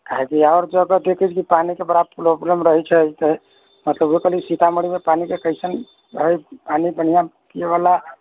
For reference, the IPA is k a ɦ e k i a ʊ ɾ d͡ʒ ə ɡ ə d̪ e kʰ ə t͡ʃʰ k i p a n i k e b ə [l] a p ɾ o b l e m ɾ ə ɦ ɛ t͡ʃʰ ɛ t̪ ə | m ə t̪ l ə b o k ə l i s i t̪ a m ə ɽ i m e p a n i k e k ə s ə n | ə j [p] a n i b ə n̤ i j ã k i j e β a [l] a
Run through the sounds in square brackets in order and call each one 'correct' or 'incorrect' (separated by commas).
incorrect, correct, correct